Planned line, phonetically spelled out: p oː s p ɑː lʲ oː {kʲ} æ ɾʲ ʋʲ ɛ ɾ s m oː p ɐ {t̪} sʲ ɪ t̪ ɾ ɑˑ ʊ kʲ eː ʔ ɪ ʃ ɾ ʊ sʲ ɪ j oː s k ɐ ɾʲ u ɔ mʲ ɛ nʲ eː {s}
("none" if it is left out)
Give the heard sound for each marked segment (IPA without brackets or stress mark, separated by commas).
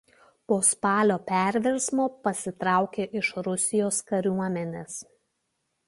pʲ, none, s